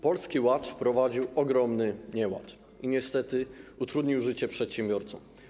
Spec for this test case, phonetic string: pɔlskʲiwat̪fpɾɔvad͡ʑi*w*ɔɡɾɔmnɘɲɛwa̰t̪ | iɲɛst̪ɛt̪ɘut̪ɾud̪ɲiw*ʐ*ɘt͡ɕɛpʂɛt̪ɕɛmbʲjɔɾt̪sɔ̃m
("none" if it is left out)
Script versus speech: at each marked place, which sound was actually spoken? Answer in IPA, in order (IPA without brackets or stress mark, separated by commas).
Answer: w, ʐ